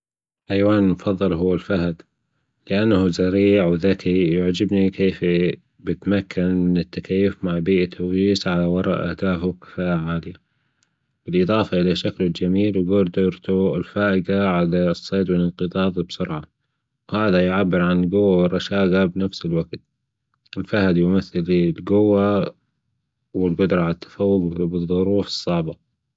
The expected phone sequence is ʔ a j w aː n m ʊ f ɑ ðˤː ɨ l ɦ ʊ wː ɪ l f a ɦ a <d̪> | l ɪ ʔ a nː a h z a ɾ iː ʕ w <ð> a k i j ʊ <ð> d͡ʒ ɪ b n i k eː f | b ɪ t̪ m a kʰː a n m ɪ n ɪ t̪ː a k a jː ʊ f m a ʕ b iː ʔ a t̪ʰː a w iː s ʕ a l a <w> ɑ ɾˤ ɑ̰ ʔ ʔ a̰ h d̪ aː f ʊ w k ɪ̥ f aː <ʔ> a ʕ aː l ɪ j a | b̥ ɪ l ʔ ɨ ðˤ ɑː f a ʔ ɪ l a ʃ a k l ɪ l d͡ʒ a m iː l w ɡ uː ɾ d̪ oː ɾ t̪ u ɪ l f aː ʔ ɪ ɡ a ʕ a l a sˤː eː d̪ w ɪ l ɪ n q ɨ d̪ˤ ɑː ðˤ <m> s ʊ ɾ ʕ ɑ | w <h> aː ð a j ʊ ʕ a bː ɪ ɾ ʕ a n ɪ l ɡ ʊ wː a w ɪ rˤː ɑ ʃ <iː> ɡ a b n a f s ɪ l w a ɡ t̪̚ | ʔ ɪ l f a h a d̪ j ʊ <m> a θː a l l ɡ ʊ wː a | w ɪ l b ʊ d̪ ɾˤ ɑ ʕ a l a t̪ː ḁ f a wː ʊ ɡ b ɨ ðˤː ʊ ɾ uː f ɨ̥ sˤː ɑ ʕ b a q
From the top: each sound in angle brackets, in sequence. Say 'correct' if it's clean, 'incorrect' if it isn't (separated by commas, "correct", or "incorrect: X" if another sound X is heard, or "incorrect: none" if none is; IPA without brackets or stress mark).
correct, correct, incorrect: ʕ, correct, correct, incorrect: b, correct, incorrect: aː, correct